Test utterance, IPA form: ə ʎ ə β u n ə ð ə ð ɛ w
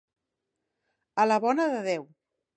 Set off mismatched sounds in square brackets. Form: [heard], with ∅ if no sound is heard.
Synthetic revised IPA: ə [l] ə β [ɔ] n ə ð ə ð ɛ w